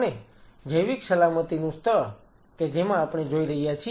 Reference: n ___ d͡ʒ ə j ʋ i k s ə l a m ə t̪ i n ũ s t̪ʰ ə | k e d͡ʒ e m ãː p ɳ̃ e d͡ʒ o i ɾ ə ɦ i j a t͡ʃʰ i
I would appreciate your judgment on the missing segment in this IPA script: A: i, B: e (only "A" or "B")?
B